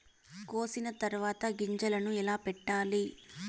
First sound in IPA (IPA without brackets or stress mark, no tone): k